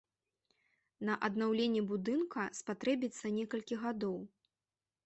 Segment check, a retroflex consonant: absent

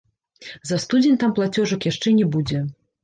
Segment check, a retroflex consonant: present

